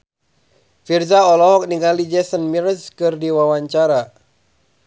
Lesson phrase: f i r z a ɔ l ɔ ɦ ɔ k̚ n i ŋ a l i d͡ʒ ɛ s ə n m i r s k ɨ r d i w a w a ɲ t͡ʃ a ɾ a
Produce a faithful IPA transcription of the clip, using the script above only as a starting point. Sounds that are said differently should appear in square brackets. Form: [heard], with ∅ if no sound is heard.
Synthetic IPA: f i r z a ɔ l ɔ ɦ ɔ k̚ n i ŋ a l i d͡ʒ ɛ s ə n m i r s k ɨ r d i w a w a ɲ t͡ʃ a ɾ a

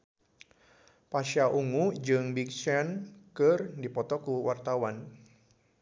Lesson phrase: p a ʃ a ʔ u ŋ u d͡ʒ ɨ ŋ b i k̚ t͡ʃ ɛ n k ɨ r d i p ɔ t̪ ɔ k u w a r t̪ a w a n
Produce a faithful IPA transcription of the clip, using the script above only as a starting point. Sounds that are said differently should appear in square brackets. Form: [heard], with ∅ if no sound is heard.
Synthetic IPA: p a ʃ a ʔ u ŋ u d͡ʒ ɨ ŋ b i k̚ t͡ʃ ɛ n k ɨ r d i p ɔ t̪ ɔ k u w a r t̪ a w a n

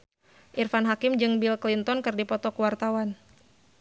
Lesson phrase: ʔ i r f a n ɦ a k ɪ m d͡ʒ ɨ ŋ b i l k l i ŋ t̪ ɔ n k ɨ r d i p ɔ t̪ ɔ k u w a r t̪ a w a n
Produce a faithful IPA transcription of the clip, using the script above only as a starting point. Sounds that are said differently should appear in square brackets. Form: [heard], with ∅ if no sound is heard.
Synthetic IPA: ʔ i r f a n ɦ a k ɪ m d͡ʒ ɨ ŋ b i l k l i [n] t̪ ɔ n k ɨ r d i p ɔ t̪ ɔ k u w a r t̪ a w a n

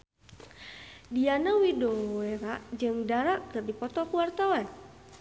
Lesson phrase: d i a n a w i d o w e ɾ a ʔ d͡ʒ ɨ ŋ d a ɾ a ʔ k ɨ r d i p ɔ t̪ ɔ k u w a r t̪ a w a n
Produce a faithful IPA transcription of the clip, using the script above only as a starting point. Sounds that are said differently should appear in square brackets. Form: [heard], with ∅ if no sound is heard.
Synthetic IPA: d i a n a w i d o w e ɾ a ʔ d͡ʒ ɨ ŋ d a ɾ a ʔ k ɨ r d i p ɔ t̪ ɔ k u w a r t̪ a w a n

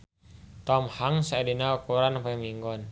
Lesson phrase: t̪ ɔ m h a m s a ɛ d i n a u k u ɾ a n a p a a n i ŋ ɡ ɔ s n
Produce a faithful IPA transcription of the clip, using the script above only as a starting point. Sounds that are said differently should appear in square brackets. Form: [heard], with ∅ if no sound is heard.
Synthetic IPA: t̪ ɔ m h a [ŋ] s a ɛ d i n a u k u ɾ a n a p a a [m] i ŋ ɡ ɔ [∅] n

